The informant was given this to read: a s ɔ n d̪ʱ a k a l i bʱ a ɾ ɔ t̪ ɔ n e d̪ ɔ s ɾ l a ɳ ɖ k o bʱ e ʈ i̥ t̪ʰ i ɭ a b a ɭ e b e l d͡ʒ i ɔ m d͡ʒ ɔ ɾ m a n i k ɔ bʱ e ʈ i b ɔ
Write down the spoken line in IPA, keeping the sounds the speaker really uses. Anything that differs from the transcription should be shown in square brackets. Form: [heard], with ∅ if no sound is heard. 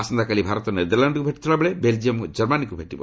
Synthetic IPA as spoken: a s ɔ n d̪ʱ a k a l i bʱ a ɾ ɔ t̪ ɔ n e d̪ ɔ [∅] ɾ l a ɳ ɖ k [u] bʱ e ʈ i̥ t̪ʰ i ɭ a b [e] ɭ e b e l d͡ʒ i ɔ m d͡ʒ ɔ ɾ m a n i k [u] bʱ e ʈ i b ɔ